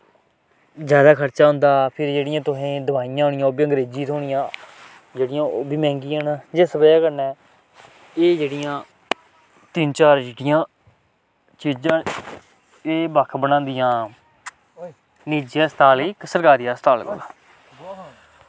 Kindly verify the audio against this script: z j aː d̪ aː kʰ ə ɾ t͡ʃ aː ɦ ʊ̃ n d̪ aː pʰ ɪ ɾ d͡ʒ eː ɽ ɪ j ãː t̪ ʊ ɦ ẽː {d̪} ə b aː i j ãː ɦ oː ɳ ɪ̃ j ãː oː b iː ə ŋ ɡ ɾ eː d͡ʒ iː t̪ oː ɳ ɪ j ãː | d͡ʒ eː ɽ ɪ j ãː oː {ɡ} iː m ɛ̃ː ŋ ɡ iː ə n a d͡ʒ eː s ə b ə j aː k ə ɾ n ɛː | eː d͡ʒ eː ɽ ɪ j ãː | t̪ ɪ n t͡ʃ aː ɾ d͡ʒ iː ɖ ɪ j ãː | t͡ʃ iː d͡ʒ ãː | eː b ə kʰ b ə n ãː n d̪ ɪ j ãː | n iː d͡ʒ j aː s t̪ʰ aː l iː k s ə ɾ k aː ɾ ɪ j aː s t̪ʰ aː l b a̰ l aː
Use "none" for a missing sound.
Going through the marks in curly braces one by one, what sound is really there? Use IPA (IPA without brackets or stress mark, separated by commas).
d̪, b